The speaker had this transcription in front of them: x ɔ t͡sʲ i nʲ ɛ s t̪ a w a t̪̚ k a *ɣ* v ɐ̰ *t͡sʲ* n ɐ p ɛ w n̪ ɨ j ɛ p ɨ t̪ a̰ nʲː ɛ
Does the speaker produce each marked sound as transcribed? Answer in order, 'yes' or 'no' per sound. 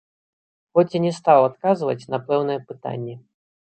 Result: no, yes

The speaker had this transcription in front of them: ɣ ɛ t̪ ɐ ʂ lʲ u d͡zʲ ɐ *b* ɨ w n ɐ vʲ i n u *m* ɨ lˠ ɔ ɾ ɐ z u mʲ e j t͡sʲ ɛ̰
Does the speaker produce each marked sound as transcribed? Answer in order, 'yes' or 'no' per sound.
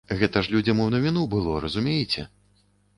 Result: no, no

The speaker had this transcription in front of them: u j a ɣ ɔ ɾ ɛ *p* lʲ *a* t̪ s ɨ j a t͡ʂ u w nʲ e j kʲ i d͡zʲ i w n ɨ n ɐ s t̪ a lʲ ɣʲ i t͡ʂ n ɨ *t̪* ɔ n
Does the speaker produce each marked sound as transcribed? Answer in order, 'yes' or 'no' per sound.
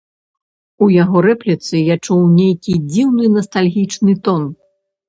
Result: yes, no, yes

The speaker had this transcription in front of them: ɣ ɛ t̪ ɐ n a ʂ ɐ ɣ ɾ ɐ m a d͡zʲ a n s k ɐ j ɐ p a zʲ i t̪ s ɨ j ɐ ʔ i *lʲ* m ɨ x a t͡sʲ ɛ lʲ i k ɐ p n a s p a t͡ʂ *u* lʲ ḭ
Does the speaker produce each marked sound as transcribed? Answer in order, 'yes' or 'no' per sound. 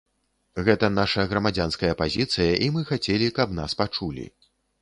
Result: no, yes

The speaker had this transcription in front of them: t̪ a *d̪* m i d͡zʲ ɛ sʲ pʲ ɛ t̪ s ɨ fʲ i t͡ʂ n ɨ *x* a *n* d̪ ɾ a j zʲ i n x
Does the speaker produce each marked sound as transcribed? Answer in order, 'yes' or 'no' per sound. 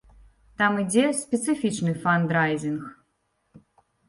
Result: no, no, yes

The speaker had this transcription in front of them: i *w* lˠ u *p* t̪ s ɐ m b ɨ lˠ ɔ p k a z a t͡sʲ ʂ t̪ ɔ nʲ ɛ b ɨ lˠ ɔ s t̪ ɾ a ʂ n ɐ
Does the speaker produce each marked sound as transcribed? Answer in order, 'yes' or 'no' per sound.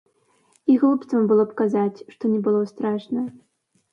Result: no, yes

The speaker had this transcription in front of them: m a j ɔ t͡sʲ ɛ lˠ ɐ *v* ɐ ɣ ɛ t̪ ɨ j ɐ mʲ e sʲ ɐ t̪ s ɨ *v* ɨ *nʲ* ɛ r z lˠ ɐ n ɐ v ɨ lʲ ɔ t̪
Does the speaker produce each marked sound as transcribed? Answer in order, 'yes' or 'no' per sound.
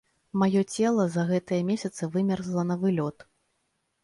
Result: no, yes, no

